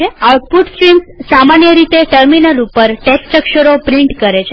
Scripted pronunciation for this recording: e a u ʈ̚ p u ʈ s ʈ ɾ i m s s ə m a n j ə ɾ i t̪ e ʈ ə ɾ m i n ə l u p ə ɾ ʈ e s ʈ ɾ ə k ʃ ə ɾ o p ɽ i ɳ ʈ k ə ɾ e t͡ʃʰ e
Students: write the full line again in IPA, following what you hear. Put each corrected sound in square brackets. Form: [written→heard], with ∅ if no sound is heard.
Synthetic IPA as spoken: e a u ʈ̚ p u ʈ s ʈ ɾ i m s s [ə→a] m a n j ə ɾ i t̪ e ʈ ə ɾ m i n ə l u p ə ɾ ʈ e s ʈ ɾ ə k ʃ ə ɾ o p [ɽ→ɾ] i ɳ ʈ k ə ɾ e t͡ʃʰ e